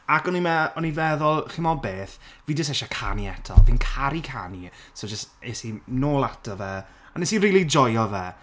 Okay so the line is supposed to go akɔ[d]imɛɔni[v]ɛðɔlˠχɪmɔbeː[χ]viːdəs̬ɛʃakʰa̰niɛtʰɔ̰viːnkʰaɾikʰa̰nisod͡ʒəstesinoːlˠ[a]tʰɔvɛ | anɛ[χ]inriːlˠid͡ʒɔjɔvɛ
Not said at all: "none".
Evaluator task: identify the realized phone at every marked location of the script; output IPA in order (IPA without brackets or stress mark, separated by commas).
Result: n, v, θ, a, s